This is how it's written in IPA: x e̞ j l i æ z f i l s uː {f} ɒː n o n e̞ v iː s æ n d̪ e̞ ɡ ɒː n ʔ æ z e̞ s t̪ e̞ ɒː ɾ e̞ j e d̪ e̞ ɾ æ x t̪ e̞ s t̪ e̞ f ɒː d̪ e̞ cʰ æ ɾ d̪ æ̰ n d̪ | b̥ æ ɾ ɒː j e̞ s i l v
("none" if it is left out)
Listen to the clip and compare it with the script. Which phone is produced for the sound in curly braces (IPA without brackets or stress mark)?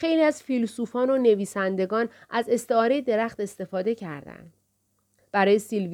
f